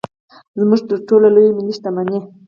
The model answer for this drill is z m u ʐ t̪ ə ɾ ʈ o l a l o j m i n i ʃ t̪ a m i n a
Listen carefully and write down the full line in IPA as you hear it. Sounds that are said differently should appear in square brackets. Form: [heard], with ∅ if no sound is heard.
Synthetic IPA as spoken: z m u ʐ t̪ ə ɾ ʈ o l a l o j m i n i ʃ t̪ a m [a] n [e]